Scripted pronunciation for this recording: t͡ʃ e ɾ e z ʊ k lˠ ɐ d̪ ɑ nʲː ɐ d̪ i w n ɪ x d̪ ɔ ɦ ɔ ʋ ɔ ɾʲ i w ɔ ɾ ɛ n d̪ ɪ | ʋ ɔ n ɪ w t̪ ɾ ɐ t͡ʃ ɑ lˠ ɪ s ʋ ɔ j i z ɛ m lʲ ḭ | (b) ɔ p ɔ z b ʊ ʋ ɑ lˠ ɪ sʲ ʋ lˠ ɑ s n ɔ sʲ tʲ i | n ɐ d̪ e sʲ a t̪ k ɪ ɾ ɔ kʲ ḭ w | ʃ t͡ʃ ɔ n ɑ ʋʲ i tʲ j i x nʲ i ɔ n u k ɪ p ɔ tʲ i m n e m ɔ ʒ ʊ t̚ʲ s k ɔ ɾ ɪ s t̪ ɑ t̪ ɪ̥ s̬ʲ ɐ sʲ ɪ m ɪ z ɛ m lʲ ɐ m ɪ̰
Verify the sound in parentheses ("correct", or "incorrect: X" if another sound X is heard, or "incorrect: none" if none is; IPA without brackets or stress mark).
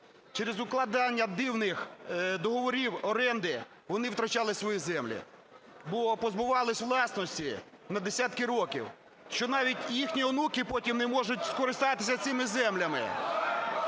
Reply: correct